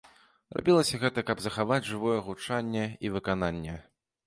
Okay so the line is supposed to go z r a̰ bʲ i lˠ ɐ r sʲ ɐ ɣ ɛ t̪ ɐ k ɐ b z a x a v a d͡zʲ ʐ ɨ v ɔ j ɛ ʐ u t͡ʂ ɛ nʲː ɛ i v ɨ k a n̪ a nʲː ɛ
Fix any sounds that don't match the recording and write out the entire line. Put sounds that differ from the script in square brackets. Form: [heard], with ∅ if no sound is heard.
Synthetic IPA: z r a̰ bʲ i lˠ ɐ [∅] sʲ ɐ ɣ ɛ t̪ ɐ k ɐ b z [ɐ] x a v a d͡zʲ ʐ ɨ v ɔ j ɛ [ɣ] u t͡ʂ [a] nʲː ɛ i v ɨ k a n̪ a nʲː ɛ